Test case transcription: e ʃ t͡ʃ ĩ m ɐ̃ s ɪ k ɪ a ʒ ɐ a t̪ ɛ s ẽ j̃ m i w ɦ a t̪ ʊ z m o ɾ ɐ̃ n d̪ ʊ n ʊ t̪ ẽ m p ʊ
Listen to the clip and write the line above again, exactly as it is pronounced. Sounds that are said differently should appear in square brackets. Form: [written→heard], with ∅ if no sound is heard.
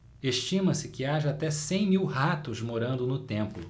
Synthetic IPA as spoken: e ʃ t͡ʃ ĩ m [ɐ̃→ɐ] s ɪ k ɪ a ʒ ɐ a t̪ ɛ s ẽ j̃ m i w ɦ a t̪ ʊ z m o ɾ ɐ̃ n d̪ ʊ n ʊ t̪ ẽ m p ʊ